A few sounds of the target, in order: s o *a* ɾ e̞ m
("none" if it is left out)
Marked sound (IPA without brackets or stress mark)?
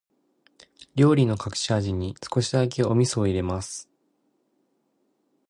i